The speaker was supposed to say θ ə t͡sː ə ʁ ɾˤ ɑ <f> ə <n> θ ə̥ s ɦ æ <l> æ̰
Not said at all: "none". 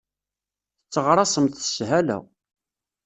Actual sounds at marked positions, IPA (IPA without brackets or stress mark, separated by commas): s, m, l